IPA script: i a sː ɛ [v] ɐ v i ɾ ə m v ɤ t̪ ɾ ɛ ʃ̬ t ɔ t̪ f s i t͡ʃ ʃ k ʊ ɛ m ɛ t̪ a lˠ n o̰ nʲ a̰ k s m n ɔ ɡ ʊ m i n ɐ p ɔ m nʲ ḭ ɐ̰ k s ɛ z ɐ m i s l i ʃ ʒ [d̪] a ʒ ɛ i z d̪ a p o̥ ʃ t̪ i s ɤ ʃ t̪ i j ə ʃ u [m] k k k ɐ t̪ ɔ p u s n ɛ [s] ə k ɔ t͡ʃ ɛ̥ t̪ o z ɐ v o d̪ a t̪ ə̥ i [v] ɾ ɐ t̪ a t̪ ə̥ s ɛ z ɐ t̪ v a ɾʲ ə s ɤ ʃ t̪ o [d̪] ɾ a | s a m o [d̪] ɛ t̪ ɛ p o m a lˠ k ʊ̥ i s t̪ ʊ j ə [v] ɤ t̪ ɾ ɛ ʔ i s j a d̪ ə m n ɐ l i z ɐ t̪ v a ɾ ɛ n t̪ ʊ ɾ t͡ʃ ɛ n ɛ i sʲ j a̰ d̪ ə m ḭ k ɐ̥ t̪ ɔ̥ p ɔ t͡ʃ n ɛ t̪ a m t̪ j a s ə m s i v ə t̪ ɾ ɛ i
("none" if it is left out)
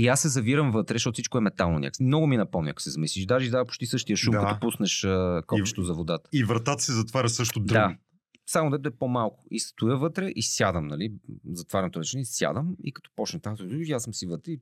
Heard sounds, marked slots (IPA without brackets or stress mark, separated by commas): z, d̪, m, ʃ, v, d̪, d̪, v